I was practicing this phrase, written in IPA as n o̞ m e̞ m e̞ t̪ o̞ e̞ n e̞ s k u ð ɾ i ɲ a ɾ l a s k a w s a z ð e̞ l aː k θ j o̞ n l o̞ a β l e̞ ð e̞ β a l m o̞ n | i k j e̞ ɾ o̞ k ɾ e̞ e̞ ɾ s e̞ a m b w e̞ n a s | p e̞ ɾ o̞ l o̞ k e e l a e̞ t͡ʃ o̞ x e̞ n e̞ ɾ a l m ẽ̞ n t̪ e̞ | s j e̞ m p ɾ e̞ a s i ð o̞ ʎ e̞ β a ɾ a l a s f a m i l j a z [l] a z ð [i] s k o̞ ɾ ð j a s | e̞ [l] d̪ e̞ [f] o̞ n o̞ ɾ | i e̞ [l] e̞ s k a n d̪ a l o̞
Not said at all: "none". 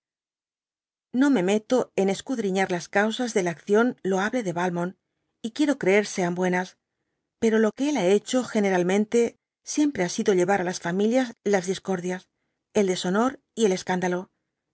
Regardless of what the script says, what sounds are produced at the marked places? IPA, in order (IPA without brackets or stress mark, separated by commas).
l, i, l, s, l